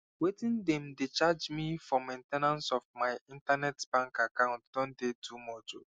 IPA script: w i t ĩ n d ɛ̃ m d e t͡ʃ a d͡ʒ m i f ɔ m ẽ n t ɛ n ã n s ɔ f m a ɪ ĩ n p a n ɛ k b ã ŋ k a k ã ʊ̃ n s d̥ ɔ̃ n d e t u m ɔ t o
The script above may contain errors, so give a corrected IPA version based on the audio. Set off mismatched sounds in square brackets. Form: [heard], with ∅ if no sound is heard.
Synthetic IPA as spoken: w [e] t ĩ n d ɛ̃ m d e t͡ʃ a d͡ʒ m i f ɔ m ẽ n t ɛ n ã n s ɔ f m a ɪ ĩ n [t] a n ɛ [t] b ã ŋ k a k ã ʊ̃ n [t] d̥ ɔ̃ n d e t u m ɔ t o